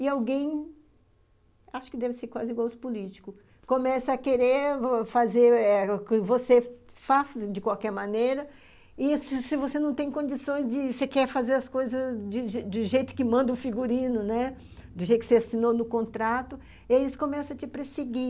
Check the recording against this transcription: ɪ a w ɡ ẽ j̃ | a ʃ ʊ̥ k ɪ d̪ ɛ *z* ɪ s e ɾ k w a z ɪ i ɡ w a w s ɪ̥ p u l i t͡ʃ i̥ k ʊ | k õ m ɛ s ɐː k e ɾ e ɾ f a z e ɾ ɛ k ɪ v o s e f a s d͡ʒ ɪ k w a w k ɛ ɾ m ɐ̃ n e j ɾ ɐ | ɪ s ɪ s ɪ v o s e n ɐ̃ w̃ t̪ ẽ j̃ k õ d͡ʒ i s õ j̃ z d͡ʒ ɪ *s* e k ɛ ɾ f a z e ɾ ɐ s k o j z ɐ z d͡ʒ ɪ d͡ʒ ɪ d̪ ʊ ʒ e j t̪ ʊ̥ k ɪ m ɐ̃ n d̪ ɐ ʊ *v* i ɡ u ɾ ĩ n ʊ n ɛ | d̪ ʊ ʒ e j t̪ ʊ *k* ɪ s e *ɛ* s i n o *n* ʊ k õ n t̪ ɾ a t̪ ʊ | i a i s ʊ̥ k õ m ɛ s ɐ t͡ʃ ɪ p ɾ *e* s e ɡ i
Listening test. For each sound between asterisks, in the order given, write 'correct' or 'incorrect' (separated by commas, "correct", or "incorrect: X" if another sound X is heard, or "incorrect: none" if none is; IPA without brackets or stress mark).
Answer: incorrect: v, correct, incorrect: f, correct, incorrect: a, correct, correct